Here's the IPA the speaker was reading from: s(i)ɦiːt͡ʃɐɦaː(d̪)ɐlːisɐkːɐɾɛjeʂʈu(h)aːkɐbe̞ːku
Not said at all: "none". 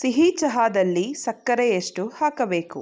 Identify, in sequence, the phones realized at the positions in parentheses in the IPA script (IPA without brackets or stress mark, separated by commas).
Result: i, d̪, h